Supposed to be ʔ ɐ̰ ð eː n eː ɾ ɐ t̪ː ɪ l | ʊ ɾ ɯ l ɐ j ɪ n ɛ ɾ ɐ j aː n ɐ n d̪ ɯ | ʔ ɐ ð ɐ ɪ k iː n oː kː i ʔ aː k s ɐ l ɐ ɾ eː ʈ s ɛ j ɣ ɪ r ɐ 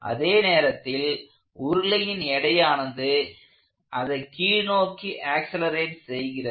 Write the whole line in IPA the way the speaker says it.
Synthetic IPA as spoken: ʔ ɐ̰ ð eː n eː ɾ ɐ t̪ː ɪ l | ʊ ɾ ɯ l ɐ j ɪ n ɛ ɽ ɐ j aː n ɐ n d̪ ɯ | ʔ ɐ ð ɐ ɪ k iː n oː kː i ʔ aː k s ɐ l ɐ ɾ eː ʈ s ɛ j ɣ ɪ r ɐ